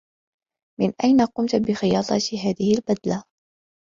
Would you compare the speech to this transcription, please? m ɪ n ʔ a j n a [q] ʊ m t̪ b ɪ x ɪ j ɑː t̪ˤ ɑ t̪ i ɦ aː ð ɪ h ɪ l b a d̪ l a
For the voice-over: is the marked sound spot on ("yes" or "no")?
yes